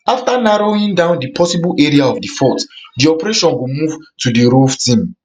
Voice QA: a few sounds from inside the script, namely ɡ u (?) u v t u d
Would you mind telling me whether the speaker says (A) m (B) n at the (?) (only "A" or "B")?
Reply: A